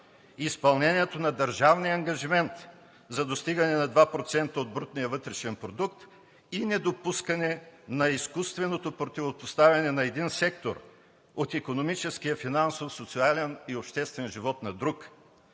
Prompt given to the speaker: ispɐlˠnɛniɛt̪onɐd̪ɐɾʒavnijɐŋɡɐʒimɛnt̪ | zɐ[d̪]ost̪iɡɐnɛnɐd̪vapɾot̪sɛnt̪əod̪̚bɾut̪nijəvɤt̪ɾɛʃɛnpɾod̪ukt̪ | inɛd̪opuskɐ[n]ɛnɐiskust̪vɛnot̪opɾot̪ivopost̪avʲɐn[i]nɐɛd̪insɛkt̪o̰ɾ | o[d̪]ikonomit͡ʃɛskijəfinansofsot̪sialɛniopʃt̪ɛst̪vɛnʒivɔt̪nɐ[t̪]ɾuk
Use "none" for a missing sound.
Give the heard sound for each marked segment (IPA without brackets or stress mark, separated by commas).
d̪, n, ɛ, t̪, d̪